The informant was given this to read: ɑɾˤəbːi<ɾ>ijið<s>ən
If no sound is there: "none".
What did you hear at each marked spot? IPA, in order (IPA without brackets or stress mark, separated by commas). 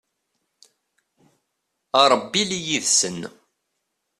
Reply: l, s